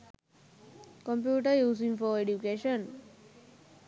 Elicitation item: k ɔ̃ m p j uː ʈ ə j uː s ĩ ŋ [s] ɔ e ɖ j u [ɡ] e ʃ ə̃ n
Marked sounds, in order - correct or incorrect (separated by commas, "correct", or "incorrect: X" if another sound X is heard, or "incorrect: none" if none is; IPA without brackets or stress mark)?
incorrect: f, incorrect: k